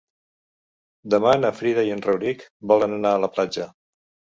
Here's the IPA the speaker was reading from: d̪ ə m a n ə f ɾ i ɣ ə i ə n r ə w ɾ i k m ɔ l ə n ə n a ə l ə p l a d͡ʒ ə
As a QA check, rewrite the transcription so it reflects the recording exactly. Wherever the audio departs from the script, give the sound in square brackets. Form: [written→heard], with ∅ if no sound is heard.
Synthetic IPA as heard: d̪ ə m a n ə f ɾ i [ɣ→ð] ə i ə n r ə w ɾ i k [m→b] ɔ l ə n ə n a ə l ə p l a d͡ʒ ə